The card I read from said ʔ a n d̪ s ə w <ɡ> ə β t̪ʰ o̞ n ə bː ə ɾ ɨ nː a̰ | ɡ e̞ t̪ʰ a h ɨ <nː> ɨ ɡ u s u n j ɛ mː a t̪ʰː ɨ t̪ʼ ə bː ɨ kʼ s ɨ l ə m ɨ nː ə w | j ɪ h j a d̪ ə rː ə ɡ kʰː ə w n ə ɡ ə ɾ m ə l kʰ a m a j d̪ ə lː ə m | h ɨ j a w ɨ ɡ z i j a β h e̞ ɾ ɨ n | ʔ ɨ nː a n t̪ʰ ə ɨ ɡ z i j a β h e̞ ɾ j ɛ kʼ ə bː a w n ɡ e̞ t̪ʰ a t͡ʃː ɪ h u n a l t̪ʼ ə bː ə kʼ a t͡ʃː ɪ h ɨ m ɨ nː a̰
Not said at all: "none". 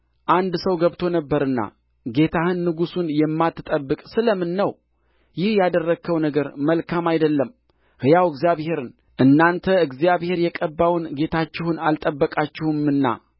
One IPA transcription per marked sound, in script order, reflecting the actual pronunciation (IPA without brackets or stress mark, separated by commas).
ɡ, nː